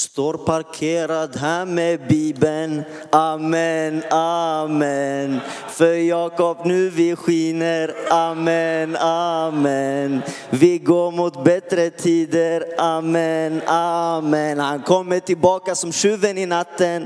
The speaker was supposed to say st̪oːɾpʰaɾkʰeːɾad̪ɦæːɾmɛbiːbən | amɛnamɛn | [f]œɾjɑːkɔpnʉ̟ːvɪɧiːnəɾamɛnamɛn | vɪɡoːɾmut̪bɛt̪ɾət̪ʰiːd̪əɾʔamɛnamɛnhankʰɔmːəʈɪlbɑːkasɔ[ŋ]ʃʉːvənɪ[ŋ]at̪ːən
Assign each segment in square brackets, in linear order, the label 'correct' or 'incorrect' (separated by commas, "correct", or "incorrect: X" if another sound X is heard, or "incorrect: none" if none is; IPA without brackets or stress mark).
correct, incorrect: m, incorrect: n